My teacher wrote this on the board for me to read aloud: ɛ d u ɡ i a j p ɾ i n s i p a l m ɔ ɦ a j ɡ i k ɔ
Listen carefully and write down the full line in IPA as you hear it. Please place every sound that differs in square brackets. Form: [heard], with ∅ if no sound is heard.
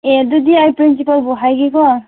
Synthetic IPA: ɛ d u [d] i a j p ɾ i n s i p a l [b] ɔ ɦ a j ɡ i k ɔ